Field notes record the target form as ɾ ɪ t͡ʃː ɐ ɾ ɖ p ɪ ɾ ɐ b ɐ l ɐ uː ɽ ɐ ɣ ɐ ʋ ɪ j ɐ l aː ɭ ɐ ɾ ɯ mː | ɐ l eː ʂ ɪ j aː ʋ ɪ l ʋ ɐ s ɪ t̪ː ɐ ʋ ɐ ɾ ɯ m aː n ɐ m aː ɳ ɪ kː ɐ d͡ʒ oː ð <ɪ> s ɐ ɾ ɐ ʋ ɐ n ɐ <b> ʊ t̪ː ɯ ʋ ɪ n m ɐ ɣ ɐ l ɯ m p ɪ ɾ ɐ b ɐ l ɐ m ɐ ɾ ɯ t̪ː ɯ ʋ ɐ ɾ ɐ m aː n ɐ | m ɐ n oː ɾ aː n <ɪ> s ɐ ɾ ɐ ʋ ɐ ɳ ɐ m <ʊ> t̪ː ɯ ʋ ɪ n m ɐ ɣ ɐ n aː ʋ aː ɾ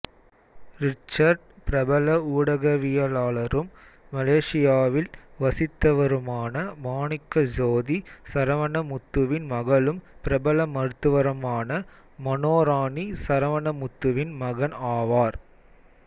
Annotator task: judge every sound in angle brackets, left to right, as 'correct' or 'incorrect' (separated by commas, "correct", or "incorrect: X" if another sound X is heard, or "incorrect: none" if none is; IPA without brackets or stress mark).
incorrect: i, incorrect: m, incorrect: i, correct